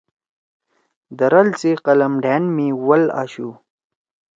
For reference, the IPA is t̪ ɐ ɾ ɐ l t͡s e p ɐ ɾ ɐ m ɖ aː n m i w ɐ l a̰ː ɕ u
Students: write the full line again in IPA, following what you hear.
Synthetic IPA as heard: d̪ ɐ ɾ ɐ l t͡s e q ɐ l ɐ m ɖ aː n m i w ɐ l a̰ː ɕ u